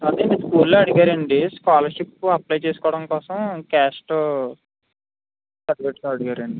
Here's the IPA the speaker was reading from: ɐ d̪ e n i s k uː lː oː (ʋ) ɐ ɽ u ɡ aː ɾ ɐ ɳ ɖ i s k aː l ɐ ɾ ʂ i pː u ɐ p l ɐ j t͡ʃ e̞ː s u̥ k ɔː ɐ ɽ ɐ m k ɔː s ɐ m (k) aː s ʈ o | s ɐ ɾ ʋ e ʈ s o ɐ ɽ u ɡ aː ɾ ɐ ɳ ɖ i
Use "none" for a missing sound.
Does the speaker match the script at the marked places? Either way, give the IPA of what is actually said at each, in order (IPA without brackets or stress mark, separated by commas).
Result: none, k